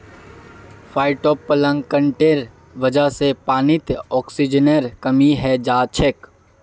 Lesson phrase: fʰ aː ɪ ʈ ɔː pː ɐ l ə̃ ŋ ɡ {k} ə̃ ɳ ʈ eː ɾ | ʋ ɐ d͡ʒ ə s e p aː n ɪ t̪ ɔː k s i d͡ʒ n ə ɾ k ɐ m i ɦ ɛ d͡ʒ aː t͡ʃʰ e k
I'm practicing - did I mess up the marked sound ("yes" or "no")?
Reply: no